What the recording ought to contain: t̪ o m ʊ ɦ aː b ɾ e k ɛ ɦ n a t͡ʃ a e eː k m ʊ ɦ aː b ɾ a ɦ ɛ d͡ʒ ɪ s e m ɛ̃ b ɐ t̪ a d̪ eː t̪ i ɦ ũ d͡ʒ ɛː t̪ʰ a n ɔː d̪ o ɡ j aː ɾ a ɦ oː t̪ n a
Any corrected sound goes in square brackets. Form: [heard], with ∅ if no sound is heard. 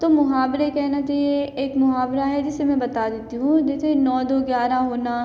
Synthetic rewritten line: t̪ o m ʊ ɦ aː b ɾ e k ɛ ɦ n a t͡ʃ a e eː k m ʊ ɦ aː b ɾ a ɦ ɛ d͡ʒ ɪ s e m ɛ̃ b ɐ t̪ a d̪ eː t̪ i ɦ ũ d͡ʒ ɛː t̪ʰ [e] n ɔː d̪ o ɡ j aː ɾ a ɦ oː [∅] n a